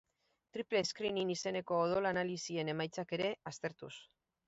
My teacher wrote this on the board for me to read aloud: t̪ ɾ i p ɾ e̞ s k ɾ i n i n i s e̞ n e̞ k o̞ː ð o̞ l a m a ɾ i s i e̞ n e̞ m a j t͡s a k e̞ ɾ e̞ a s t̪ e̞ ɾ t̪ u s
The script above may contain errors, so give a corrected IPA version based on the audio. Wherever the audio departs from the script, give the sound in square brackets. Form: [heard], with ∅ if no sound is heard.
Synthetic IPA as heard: t̪ ɾ i p [l] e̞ s k ɾ i n i n i s e̞ n e̞ k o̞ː ð o̞ l a [n] a [l] i s i e̞ n e̞ m a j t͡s a k e̞ ɾ e̞ a s t̪ e̞ ɾ t̪ u s